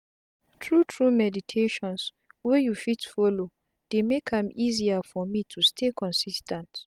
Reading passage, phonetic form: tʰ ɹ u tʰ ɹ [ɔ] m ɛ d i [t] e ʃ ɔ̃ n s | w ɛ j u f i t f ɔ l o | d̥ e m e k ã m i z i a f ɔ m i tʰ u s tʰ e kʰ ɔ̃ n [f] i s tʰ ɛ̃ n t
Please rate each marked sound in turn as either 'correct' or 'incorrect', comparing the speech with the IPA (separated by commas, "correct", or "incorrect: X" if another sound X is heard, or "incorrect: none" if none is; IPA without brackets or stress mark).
incorrect: u, incorrect: tʰ, incorrect: s